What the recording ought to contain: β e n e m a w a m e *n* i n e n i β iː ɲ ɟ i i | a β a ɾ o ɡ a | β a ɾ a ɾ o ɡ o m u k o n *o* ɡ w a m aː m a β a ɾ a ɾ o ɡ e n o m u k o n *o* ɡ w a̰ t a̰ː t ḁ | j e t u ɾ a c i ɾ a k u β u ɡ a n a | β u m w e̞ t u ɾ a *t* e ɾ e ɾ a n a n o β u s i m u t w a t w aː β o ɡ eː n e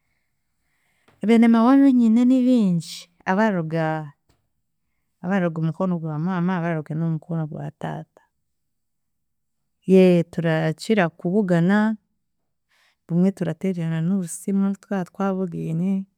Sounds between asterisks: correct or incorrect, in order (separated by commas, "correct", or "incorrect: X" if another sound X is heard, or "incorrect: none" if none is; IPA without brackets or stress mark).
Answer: incorrect: ɲ, correct, correct, correct